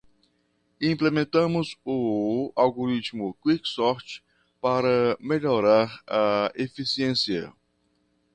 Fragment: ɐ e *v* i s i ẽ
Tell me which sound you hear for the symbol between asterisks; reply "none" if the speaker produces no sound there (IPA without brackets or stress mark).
f